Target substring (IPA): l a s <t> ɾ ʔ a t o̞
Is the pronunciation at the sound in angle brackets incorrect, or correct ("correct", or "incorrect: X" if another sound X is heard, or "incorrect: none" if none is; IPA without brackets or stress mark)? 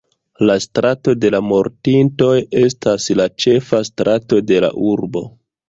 correct